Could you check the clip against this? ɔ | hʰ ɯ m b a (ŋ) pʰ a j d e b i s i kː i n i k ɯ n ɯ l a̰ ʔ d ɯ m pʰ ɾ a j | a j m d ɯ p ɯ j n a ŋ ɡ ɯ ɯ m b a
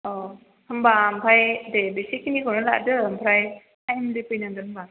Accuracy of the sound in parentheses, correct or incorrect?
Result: incorrect